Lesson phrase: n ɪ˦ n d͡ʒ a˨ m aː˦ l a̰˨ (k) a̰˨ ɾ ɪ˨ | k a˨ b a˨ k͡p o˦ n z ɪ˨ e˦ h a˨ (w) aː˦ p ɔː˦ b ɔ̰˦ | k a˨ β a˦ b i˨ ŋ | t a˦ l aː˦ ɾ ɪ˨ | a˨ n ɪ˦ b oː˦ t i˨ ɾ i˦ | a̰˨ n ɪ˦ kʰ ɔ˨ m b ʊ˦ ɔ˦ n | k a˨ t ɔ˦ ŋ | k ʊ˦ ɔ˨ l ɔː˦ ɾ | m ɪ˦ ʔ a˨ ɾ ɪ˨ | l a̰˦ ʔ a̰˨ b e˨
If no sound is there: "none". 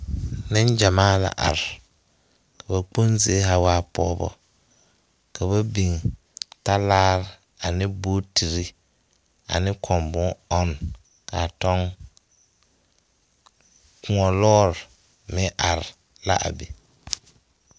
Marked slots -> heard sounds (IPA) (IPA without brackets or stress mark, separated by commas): ʔ, w